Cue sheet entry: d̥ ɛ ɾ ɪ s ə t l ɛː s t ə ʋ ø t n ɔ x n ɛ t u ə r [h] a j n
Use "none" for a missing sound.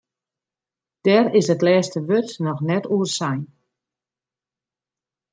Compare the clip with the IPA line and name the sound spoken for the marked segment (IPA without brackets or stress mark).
s